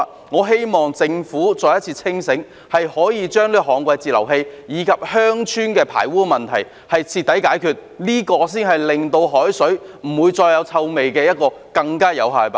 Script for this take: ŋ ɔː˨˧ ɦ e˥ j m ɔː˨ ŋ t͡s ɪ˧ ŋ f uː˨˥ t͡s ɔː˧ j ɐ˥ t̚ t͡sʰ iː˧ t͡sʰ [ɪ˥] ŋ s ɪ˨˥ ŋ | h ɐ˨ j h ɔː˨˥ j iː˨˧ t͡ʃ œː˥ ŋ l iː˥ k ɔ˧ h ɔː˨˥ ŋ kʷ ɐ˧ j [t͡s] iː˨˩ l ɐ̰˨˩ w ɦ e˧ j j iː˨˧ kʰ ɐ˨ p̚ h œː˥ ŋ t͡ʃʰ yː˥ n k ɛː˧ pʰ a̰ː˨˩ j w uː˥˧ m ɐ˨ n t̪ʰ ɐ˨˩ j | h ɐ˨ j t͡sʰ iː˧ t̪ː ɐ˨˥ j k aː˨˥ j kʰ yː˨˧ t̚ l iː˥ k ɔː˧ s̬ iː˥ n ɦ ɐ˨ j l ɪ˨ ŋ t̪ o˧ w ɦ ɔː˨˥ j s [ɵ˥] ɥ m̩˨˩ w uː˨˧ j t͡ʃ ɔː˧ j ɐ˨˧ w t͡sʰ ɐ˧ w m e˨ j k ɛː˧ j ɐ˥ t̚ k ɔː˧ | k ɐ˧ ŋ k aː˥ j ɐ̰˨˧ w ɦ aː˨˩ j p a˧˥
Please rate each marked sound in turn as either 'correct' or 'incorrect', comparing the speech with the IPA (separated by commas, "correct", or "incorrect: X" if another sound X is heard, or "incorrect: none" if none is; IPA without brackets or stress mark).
correct, correct, incorrect: ɵ˨˥